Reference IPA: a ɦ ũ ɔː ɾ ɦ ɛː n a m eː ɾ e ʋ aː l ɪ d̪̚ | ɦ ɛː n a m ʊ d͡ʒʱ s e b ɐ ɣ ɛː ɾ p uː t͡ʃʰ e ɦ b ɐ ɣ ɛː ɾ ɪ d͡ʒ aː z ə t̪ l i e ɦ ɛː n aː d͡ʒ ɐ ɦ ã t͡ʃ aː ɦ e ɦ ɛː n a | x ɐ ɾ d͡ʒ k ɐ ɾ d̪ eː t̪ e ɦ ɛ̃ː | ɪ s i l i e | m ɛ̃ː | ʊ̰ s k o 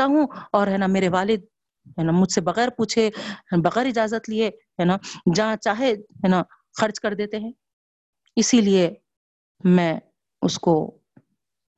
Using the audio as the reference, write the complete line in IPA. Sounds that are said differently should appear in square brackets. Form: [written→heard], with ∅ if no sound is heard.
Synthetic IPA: a ɦ ũ ɔː ɾ ɦ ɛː n a m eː ɾ e ʋ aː l ɪ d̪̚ | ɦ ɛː n a m ʊ d͡ʒʱ s e b ɐ ɣ ɛː ɾ p uː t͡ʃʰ e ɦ b ɐ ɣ ɛː ɾ ɪ d͡ʒ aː z ə t̪ l i e ɦ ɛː n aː d͡ʒ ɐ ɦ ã t͡ʃ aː ɦ e ɦ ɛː n a | x ɐ ɾ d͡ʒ k ɐ ɾ d̪ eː t̪ e ɦ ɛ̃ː | ɪ s i l i e | m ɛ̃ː | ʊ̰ s k o